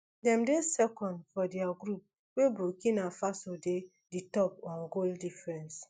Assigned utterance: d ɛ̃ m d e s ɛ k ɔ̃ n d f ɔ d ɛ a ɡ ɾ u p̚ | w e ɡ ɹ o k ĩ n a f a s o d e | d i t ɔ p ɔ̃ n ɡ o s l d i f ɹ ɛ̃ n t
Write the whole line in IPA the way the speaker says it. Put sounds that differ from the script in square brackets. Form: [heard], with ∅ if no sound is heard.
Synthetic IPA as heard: d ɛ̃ m d e s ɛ k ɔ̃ n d f ɔ d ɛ a ɡ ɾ u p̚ | w e [b] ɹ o k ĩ n a f a s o d e | d i t ɔ p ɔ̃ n ɡ o [∅] l d i f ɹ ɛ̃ n [s]